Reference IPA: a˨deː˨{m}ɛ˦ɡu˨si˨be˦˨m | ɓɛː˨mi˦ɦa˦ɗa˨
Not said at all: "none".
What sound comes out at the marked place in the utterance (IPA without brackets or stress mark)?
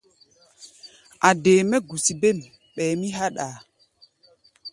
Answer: m